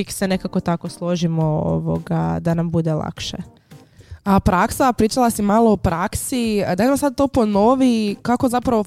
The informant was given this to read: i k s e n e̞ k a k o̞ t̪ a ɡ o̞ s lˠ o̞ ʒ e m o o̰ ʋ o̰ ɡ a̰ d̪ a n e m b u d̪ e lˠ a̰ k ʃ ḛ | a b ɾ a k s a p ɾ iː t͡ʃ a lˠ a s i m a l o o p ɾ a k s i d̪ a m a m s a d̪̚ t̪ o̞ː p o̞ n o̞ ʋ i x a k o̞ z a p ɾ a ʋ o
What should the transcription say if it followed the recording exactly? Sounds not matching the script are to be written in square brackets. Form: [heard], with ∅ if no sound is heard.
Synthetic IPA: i k s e n e̞ k a k o̞ t̪ a [k] o̞ s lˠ o̞ ʒ [i] m o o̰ ʋ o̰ ɡ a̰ d̪ a n [a] m b u d̪ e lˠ a̰ k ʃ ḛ | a [p] ɾ a k s a p ɾ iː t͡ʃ a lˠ a s i m a l o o p ɾ a k s i d̪ a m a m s a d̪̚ t̪ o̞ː p o̞ n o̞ ʋ i [k] a k o̞ z a p ɾ a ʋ o